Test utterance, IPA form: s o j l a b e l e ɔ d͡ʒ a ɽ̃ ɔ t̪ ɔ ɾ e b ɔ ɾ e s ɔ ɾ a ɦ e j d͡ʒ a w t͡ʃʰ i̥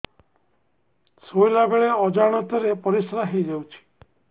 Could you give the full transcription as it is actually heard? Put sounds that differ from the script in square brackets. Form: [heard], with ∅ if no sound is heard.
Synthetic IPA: s o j l a b e [ɭ] e ɔ d͡ʒ a ɽ̃ ɔ t̪ ɔ ɾ e [p] ɔ ɾ [i] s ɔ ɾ a ɦ e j d͡ʒ a w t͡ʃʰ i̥